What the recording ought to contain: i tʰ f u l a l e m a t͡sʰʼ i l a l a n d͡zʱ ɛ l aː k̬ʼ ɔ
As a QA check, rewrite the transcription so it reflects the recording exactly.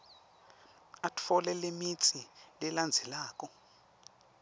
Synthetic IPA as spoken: a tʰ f ɔ l ɛ l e m i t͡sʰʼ i l ɛ l a n d͡zʱ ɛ l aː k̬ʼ ɔ